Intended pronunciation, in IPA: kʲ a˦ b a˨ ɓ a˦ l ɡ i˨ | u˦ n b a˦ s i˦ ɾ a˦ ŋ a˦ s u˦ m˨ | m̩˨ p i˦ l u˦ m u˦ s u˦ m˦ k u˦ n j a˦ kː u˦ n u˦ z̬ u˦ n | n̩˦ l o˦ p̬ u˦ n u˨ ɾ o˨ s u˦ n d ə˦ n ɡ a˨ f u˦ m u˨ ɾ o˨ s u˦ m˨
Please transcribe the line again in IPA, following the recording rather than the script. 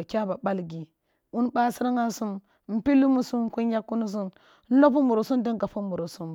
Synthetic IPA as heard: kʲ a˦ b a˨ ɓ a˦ l ɡ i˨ | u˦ n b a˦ s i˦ ɾ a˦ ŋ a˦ s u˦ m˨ | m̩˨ p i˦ l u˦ m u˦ s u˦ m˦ k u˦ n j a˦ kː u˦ n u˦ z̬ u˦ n | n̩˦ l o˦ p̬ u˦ m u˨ ɾ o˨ s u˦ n d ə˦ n ɡ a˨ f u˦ m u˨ ɾ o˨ s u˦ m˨